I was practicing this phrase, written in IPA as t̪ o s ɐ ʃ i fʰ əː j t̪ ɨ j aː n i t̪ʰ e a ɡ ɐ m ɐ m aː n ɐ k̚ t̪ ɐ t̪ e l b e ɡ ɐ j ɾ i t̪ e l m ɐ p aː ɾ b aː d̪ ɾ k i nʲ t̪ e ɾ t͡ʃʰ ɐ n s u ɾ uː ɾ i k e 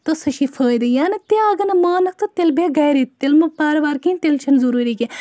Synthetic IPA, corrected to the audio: t̪ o s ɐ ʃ i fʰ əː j d̪ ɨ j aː n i t̪ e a ɡ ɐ n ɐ m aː n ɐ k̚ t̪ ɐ t̪ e l b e ɡ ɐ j ɾ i t̪ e l m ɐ p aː ɾ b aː ɾ k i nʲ t̪ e l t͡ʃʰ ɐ n z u ɾ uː ɾ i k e